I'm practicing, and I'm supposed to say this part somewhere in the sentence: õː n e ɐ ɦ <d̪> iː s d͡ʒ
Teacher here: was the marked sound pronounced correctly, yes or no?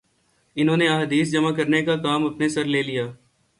yes